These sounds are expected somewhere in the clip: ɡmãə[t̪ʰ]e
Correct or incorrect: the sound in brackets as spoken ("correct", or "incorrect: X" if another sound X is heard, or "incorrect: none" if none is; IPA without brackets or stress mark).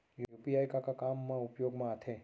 correct